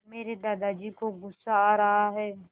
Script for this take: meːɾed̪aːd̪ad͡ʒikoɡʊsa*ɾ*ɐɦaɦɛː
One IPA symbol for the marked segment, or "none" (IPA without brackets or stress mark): ɾ